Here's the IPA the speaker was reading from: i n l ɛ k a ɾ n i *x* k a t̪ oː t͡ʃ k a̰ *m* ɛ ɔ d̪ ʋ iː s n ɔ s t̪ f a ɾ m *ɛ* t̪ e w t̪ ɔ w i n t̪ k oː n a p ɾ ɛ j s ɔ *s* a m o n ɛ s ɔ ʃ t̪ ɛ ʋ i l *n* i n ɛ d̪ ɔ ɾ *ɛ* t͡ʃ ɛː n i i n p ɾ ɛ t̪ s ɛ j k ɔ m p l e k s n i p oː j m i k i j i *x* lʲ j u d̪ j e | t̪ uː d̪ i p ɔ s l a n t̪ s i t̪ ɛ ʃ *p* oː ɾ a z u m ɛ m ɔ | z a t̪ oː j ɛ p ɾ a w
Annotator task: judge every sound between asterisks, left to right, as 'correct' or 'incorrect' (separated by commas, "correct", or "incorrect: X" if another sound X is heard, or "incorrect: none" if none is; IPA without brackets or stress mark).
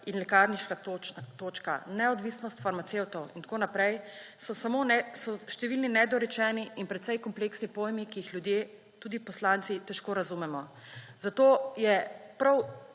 incorrect: ʃ, incorrect: n, incorrect: a, correct, correct, correct, correct, incorrect: k